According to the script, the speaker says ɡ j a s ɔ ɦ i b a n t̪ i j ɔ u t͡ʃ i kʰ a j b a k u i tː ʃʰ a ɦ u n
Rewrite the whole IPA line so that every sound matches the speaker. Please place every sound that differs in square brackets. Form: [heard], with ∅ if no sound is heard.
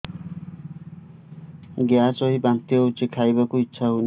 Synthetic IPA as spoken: ɡ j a s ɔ ɦ i b a n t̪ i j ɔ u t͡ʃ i kʰ a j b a k u i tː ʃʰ a ɦ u n